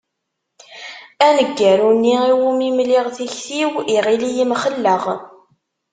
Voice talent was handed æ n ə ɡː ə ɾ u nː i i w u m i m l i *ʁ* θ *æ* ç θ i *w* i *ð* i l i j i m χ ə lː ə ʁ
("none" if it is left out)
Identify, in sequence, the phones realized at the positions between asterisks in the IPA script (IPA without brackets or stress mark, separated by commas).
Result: ʁ, i, w, ʁ